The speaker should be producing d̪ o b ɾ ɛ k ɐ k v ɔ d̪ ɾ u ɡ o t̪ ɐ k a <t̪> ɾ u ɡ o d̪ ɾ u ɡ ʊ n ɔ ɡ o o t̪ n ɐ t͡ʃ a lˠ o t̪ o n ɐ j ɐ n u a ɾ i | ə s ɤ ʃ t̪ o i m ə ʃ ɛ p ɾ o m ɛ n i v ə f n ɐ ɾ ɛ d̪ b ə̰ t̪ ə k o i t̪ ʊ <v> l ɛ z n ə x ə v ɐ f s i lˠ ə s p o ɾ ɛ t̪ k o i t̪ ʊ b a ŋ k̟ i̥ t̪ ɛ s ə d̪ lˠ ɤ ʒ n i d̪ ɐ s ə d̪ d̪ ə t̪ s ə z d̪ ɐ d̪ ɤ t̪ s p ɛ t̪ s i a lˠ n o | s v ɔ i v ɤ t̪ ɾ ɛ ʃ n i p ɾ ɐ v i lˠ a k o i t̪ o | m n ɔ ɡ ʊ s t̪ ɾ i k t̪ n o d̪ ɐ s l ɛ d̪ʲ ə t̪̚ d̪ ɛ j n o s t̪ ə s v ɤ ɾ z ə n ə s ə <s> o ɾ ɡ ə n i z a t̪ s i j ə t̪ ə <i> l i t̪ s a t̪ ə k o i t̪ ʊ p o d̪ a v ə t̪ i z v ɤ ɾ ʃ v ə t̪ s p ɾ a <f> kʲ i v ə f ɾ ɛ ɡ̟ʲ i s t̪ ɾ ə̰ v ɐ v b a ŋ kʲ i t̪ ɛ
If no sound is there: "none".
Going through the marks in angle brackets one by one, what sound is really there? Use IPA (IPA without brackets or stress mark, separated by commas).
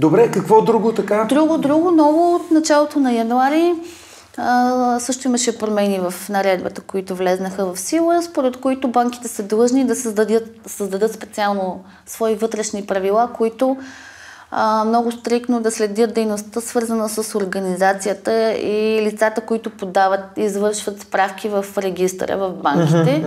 d̪, v, s, i, f